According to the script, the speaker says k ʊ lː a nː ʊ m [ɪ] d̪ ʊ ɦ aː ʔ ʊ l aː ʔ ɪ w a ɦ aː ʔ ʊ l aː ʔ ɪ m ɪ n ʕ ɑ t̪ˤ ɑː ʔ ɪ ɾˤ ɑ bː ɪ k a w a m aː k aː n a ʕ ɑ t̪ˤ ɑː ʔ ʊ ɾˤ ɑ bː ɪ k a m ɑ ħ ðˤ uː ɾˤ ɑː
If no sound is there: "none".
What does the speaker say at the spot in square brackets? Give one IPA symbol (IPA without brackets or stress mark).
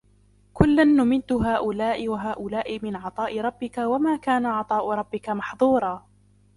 ɪ